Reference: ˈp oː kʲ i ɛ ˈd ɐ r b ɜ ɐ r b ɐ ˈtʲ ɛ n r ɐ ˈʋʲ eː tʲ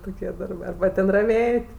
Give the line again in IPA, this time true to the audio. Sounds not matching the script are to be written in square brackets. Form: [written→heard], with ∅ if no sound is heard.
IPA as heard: [ˈp→ˈt] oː kʲ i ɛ ˈd ɐ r b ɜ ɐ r b ɐ ˈtʲ ɛ n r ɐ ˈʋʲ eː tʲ